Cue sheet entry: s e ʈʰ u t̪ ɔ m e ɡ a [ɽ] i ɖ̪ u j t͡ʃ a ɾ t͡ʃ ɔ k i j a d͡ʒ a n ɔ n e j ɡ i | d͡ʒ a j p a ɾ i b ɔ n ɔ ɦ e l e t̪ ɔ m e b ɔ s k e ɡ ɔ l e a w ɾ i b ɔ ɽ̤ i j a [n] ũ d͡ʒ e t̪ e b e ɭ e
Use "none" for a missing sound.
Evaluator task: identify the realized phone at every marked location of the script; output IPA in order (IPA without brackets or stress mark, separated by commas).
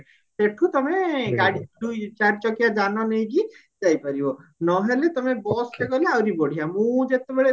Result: ɽ, m